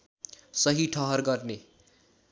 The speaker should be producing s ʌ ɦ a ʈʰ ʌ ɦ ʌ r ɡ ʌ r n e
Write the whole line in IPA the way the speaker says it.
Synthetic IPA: s ʌ ɦ i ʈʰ ʌ ɦ ʌ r ɡ ʌ r n e